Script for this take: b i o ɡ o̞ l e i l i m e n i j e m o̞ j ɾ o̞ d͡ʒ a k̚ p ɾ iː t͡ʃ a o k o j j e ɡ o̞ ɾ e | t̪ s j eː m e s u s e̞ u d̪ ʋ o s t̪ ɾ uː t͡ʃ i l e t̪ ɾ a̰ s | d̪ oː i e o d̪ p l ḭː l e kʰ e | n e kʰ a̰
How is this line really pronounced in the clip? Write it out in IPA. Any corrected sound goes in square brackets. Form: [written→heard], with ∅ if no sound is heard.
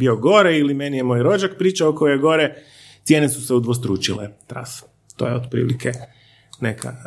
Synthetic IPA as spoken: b i o ɡ o̞ [l→ɾ] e i l i m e n i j e m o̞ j ɾ o̞ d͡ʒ a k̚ p ɾ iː t͡ʃ a o k o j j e ɡ o̞ ɾ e | t̪ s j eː [m→n] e s u s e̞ u d̪ ʋ o s t̪ ɾ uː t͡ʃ i l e t̪ ɾ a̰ s | [d̪→t̪] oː [i→j] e o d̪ p [l→ɾ] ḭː l [e→i] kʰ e | n e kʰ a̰